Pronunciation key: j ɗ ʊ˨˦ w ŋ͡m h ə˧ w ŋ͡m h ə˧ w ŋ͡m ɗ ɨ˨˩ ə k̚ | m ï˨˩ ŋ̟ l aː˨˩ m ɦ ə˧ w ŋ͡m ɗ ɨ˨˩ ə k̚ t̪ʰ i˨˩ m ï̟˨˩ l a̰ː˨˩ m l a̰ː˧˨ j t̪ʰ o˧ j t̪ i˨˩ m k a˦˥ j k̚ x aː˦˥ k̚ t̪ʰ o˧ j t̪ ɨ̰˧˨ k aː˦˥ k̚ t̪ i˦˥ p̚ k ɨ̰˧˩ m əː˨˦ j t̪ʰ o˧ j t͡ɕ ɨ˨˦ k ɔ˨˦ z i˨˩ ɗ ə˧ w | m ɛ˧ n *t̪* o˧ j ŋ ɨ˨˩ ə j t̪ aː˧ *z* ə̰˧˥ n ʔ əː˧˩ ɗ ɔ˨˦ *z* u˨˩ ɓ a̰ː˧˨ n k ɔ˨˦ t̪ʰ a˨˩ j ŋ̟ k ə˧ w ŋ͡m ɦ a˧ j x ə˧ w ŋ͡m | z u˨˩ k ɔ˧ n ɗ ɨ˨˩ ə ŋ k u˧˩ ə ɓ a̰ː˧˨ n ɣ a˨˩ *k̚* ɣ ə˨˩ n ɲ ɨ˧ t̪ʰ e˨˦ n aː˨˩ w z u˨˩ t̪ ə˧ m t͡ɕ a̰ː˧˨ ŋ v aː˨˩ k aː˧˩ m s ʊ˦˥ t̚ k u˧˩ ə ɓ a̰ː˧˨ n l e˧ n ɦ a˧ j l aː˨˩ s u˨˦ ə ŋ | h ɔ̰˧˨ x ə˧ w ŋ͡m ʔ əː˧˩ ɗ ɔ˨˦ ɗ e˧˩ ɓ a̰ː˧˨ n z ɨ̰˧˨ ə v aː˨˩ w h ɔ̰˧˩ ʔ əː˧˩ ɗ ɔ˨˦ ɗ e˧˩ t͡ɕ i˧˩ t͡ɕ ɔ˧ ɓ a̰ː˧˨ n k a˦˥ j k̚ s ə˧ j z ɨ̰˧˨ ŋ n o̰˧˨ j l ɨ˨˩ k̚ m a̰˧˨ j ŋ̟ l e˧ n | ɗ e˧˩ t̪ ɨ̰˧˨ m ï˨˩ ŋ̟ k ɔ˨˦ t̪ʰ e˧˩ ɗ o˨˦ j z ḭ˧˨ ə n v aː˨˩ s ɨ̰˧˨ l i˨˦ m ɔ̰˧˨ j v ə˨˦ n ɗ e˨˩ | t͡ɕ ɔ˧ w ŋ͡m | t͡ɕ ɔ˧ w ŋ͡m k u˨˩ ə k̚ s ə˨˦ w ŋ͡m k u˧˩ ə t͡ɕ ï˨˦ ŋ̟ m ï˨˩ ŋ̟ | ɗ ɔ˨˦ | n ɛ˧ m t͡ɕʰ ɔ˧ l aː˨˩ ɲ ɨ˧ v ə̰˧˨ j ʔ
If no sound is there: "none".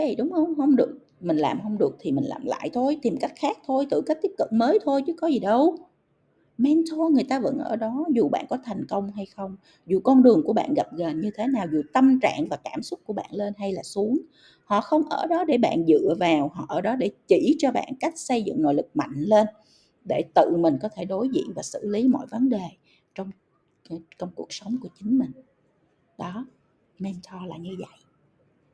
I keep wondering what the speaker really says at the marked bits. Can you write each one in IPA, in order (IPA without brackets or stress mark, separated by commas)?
t̪ʰ, v, z, p̚